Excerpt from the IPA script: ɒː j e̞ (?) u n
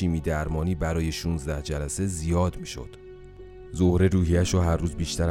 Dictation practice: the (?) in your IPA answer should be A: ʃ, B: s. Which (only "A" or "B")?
A